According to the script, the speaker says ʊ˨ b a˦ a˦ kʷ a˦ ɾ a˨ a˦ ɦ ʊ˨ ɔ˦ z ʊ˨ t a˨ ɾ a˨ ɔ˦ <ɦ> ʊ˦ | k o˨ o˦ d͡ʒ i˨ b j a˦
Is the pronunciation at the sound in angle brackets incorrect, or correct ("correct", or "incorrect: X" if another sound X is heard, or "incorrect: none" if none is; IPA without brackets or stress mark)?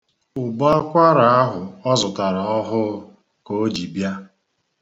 correct